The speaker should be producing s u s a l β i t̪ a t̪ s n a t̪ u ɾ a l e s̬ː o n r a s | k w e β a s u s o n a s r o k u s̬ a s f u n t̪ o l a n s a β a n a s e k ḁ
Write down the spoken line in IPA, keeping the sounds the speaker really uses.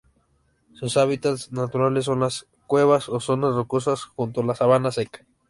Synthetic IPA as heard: s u s a β i t̪ a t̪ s n a t̪ u ɾ a l e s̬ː o n l a s | k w e β a s o s o n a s r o k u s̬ a s x u n t̪ o l a s a β a n a s e k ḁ